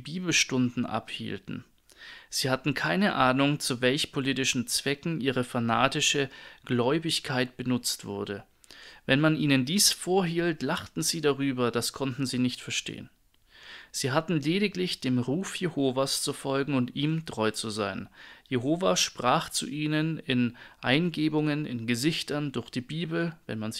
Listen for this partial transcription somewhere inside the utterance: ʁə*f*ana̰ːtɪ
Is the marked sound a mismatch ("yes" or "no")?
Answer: no